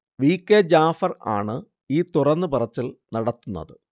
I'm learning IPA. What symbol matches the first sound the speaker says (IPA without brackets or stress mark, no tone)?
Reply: ʋ